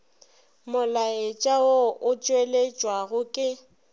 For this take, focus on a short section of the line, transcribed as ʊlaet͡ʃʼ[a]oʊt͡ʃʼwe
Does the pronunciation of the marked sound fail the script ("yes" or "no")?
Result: no